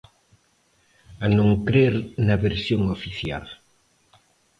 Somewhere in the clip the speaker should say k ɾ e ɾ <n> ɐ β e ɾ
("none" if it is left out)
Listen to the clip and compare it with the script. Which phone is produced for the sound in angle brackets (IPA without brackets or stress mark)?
n